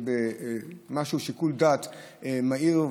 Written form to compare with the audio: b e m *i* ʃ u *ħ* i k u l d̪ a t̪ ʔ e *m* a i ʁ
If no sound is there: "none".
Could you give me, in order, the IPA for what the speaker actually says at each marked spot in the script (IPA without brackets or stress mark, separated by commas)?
a, ʃ, m